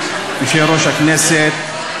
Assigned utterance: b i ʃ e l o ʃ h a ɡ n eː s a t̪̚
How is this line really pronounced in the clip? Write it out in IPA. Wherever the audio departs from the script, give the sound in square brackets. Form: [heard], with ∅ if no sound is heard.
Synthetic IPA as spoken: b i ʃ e [ɾ] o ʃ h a [k] n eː s [e] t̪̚